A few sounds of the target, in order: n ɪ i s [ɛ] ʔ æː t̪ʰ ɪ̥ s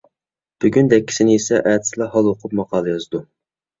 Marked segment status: correct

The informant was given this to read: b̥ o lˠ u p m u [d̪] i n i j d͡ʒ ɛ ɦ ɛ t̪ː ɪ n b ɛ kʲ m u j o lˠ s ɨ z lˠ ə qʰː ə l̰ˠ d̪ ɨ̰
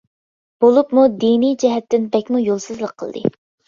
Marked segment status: correct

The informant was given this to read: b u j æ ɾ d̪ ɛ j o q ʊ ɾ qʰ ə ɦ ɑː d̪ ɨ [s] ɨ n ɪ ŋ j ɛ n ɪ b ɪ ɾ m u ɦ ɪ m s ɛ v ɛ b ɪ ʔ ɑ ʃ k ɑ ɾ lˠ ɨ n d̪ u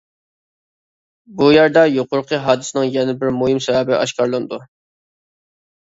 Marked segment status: correct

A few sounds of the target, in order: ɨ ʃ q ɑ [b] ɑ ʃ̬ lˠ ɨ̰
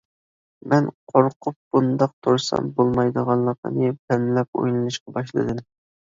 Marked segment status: correct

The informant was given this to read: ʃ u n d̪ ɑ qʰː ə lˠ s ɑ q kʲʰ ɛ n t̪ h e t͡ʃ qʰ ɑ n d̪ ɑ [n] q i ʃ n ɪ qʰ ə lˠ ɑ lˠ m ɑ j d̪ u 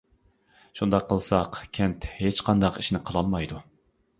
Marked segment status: incorrect: none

